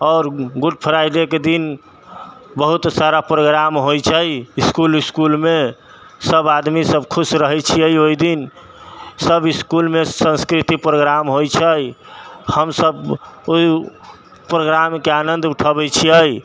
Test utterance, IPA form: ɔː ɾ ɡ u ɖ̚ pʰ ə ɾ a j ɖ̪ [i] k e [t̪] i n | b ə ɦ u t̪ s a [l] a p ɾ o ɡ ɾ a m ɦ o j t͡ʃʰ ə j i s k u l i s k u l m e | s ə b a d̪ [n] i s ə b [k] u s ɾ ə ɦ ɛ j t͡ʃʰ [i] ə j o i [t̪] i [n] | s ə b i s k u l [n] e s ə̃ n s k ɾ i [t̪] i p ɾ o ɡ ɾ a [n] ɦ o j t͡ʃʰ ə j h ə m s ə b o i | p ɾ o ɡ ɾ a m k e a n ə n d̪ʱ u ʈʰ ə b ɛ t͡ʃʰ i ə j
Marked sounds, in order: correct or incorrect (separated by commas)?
incorrect, incorrect, incorrect, incorrect, incorrect, correct, incorrect, correct, incorrect, correct, incorrect